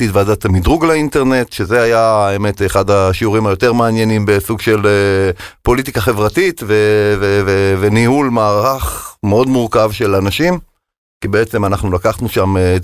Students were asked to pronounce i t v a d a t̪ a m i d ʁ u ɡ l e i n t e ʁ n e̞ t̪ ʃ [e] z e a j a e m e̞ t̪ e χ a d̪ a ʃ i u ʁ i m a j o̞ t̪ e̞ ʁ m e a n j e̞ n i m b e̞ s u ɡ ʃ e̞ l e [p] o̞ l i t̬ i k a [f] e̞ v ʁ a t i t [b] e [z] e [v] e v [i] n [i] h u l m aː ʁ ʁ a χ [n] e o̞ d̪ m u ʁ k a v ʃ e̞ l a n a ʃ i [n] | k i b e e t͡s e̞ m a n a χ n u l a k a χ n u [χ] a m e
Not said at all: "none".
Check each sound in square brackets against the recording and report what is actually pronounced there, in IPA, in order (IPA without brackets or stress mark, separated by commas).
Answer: e, p, χ, v, v, v, e, i, m, m, ʃ